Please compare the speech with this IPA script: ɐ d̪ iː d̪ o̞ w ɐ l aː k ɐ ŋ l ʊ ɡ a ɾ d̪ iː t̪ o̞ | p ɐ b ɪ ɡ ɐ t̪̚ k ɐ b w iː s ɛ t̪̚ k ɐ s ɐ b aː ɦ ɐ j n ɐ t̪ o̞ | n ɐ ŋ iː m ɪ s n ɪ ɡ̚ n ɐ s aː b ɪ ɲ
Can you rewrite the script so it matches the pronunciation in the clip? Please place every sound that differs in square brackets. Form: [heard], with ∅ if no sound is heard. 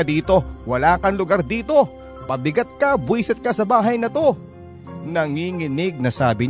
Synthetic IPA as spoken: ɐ d̪ iː [t̪] o̞ w ɐ l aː k ɐ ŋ l ʊ ɡ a ɾ d̪ iː t̪ o̞ | p ɐ b ɪ ɡ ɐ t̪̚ k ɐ b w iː s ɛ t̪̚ k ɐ s ɐ b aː ɦ ɐ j n ɐ t̪ o̞ | n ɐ ŋ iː [ŋ] ɪ [∅] n ɪ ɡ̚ n ɐ s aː b ɪ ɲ